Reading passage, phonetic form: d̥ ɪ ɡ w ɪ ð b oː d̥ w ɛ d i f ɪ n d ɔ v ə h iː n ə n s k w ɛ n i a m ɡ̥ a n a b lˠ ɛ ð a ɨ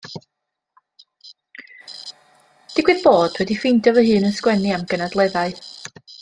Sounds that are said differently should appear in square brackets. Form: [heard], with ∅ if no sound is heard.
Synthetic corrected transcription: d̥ ɪ ɡ w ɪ ð b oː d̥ w ɛ d i f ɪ n d ɔ v ə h [ɨː] n ə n s k w ɛ n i a m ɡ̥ [ə] n a [d] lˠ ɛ ð a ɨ